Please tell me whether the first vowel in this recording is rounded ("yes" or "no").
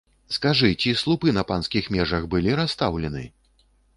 no